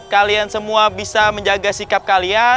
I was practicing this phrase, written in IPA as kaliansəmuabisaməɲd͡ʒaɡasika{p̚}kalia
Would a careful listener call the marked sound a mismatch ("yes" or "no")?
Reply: no